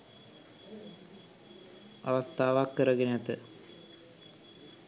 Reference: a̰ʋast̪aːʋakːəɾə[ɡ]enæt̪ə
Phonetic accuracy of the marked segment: correct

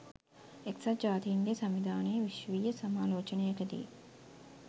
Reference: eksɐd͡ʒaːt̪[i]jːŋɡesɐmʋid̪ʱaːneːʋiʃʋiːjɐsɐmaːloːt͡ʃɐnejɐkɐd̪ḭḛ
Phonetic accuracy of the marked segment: correct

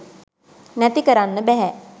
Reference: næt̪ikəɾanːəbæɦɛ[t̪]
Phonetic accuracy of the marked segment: incorrect: none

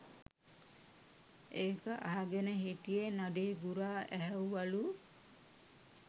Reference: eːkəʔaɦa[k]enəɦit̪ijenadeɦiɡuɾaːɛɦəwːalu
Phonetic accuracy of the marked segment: incorrect: ɡ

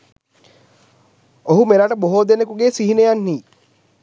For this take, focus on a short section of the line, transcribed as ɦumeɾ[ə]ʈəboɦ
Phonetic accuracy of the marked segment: incorrect: a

